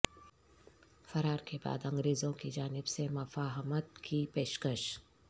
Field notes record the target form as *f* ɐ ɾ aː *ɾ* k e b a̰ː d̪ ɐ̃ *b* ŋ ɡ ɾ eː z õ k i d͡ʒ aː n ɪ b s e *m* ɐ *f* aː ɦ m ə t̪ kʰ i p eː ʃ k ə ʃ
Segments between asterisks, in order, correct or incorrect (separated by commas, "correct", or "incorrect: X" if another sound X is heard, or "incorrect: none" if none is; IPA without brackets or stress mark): correct, correct, incorrect: none, correct, correct